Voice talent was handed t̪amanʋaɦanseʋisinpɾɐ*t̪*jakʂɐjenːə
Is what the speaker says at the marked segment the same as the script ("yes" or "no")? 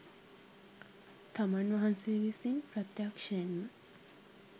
yes